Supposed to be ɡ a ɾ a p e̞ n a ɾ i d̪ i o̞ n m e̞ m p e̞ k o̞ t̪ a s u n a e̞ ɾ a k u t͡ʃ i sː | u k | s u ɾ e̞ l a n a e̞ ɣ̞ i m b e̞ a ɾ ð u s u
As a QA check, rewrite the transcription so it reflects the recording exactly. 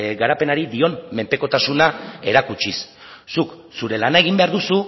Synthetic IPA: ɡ a ɾ a p e̞ n a ɾ i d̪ i o̞ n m e̞ m p e̞ k o̞ t̪ a s u n a e̞ ɾ a k u t͡ʃ i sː | u k | s u ɾ e̞ l a n a e̞ ɣ̞ i m b e̞ a ɾ ð u s u

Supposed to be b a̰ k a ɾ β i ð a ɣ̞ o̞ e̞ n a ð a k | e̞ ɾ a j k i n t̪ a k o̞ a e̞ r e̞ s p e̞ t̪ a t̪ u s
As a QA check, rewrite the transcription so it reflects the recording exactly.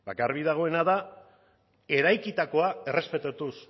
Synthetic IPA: b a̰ k a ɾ β i ð a ɣ̞ o̞ e̞ n a ð a | e̞ ɾ a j k i t̪ a k o̞ a e̞ r e̞ s p e̞ t̪ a t̪ u s

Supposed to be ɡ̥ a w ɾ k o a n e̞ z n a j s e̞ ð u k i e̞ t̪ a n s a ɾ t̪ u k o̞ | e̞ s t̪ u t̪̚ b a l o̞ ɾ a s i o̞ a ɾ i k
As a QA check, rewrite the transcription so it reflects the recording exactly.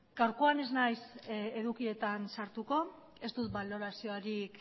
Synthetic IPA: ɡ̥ a w ɾ k o a n e̞ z n a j s e̞ ð u k i e̞ t̪ a n s a ɾ t̪ u k o̞ | e̞ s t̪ u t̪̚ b a l o̞ ɾ a s i o̞ a ɾ i k

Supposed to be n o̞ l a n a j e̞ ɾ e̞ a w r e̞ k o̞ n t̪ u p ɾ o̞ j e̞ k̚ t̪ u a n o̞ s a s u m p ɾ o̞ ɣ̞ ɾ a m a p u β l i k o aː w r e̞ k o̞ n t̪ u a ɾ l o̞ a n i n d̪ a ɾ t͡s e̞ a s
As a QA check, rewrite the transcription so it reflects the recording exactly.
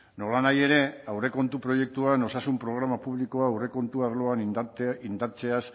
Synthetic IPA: n o̞ l a n a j e̞ ɾ e̞ a w r e̞ k o̞ n t̪ u p ɾ o̞ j e̞ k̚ t̪ u a n o̞ s a s u m p ɾ o̞ ɣ̞ ɾ a m a p u β l i k o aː w r e̞ k o̞ n t̪ u a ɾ l o̞ a n i n d̪ a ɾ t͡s e̞ a s

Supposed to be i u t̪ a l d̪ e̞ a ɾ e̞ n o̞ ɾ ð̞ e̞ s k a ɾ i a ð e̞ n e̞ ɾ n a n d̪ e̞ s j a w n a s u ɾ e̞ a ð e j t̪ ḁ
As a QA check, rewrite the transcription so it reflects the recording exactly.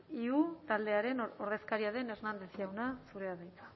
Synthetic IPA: i u t̪ a l d̪ e̞ a ɾ e̞ n o̞ ɾ ð̞ e̞ s k a ɾ i a ð e̞ n e̞ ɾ n a n d̪ e̞ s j a w n a s u ɾ e̞ a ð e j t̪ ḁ

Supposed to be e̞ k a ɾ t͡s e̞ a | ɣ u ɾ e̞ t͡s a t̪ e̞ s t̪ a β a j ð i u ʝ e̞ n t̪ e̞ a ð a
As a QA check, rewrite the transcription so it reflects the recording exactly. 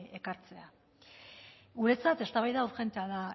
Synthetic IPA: e̞ k a ɾ t͡s e̞ a | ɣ u ɾ e̞ t͡s a t̪ e̞ s t̪ a β a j ð a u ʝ e̞ n t̪ e̞ a ð a

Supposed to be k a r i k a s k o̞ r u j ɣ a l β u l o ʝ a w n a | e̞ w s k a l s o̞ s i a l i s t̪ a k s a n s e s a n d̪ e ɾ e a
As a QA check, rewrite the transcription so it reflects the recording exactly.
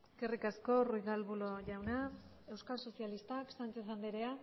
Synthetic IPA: k e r i k a s k o̞ r u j ɣ a l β u l o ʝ a w n a | e̞ w s k a l s o̞ s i a l i s t̪ a k s a n t͡s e s a n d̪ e ɾ e a

